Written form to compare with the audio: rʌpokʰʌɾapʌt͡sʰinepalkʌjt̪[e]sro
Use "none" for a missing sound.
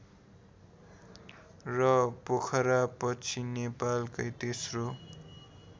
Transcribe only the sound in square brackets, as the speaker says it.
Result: e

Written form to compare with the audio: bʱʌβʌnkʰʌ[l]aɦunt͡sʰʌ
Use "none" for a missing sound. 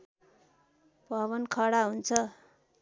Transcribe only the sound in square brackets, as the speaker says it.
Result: ɽ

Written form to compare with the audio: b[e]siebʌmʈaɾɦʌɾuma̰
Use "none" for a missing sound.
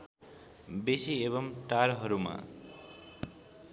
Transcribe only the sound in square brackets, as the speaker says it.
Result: e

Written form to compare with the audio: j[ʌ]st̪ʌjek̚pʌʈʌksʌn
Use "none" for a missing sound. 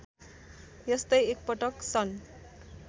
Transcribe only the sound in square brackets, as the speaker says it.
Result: ʌ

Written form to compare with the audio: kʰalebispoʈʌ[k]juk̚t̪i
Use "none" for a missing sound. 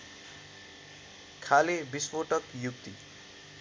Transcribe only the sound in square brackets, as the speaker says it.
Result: k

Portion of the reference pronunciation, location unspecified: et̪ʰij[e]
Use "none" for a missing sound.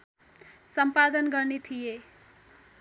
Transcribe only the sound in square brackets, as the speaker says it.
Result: e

